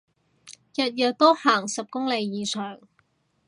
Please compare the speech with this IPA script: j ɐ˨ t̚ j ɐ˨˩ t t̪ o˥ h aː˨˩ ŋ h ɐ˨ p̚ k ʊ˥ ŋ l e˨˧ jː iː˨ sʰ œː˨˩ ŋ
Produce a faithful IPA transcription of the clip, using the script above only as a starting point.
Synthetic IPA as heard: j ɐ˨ t̚ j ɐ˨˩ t t̪ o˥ h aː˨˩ ŋ s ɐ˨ p̚ k ʊ˥ ŋ l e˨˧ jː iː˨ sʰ œː˨˩ ŋ